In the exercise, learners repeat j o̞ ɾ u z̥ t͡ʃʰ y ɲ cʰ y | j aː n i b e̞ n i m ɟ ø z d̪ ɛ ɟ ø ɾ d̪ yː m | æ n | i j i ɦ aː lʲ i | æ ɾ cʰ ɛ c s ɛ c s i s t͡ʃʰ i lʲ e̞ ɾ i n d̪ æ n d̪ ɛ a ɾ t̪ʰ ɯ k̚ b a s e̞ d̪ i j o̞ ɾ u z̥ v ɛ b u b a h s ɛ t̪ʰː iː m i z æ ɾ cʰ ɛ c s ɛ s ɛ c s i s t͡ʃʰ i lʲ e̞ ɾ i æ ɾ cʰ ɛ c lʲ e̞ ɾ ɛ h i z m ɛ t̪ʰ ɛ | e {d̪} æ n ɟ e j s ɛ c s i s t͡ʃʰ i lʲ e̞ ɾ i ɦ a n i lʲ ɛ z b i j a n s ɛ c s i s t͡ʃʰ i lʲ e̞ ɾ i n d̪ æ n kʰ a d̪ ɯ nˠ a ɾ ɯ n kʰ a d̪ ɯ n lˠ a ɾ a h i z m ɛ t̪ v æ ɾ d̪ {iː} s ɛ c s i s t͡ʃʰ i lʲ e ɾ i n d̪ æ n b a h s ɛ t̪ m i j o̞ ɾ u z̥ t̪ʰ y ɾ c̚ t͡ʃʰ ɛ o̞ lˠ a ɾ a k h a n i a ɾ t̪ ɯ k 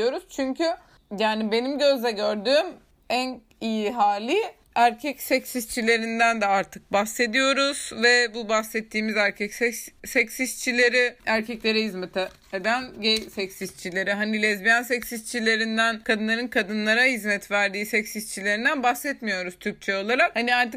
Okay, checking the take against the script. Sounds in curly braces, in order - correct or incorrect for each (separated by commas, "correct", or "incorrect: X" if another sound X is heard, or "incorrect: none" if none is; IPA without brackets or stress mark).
correct, correct